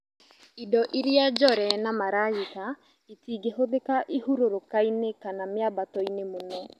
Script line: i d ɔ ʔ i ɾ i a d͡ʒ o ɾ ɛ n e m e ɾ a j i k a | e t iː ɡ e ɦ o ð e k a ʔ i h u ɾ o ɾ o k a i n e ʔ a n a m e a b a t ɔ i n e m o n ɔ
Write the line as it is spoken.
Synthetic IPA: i d ɔ ʔ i ɾ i a d͡ʒ ɔ ɾ ɛ n a m a ɾ a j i k a | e t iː ɡ e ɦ o ð e k a ʔ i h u ɾ o ɾ o k a i n e k a n a m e a b a t ɔ i n e m o n ɔ